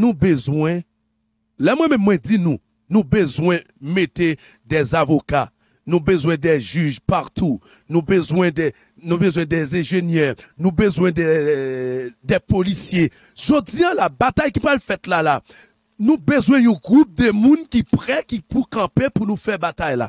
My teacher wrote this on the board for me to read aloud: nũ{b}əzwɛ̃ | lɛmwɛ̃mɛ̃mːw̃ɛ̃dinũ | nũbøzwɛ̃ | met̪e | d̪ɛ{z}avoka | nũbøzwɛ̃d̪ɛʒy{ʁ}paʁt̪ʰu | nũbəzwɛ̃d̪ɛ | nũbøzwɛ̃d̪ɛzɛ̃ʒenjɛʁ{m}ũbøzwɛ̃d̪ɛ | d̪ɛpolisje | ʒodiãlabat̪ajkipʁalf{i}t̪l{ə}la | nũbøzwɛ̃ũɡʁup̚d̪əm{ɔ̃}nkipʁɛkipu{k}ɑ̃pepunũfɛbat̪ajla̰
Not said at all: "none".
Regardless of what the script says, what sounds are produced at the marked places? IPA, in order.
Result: b, z, ʒ, n, ɛ, a, ũ, k

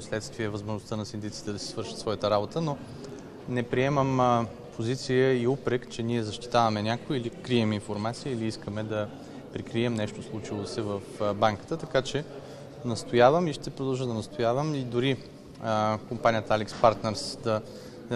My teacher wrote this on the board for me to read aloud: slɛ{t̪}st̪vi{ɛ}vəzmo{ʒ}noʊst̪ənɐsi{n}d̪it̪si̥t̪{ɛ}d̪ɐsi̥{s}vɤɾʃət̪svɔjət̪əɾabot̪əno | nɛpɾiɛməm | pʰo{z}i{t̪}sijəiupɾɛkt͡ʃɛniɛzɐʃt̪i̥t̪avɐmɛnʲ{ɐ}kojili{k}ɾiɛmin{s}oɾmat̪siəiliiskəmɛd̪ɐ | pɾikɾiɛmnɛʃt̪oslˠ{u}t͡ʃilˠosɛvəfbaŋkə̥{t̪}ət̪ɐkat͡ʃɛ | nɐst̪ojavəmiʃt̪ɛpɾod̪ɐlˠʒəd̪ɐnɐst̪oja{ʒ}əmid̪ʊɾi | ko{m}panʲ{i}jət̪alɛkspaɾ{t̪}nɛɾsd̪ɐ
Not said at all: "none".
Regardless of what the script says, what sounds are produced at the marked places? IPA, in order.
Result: t̪, ɛ, ʒ, n, ɛ, s, z, t̪, a, k, f, u, t̪, v, m, i, t̪

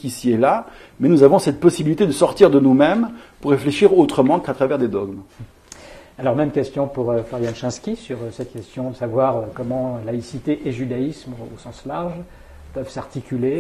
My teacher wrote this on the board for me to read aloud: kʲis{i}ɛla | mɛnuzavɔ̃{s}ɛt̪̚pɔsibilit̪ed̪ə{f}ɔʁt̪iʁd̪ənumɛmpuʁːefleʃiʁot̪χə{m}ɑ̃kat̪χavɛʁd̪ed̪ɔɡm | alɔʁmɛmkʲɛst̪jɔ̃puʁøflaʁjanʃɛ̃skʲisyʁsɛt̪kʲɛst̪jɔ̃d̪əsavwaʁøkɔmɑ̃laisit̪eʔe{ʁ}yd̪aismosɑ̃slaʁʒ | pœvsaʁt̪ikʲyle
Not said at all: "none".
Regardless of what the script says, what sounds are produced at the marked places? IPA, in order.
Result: i, s, s, m, ʒ

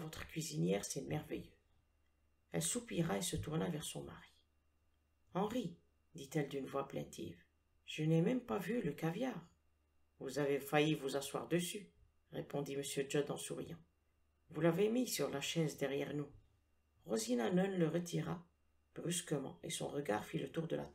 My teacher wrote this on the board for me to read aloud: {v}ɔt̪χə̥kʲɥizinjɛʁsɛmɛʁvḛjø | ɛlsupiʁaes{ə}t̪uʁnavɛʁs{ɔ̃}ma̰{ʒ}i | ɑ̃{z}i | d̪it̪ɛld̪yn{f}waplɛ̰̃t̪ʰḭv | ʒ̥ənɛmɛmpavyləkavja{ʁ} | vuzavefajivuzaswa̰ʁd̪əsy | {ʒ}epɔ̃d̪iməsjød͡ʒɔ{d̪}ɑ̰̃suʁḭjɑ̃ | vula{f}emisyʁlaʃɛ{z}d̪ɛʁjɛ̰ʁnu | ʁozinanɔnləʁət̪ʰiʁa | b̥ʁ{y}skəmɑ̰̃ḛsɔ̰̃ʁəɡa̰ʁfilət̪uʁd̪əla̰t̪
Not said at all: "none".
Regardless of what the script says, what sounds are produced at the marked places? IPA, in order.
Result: v, ə, ɔ̃, ʁ, ʁ, v, ʁ, ʁ, d̪, v, z, y

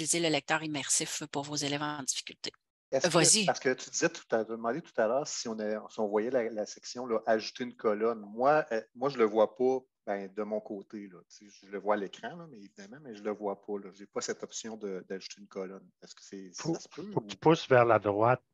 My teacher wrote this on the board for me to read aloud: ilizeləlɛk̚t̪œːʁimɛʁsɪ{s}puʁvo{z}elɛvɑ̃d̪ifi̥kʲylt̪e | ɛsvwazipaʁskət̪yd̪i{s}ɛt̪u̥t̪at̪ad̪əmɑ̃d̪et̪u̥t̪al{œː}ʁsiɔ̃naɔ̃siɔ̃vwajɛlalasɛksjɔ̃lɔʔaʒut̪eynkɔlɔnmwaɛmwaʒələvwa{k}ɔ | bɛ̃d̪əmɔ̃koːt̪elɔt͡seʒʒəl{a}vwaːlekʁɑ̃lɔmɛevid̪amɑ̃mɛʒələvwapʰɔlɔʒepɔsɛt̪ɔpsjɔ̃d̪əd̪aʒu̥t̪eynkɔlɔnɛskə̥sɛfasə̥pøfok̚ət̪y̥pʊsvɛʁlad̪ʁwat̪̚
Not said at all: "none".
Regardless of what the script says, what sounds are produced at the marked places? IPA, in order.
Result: f, z, z, œː, p, ə

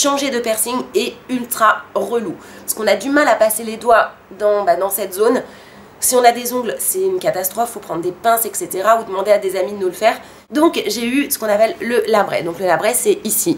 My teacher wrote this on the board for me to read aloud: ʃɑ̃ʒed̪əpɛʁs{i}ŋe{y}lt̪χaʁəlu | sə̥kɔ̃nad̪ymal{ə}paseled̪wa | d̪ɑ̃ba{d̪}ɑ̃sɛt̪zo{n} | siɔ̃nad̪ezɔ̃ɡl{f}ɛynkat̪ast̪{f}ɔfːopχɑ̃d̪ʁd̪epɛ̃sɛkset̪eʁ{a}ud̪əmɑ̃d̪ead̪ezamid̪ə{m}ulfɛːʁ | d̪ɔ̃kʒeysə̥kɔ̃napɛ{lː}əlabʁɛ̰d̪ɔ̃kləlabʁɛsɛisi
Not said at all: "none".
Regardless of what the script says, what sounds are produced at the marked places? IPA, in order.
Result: i, y, a, d̪, n, s, χ, a, n, lː

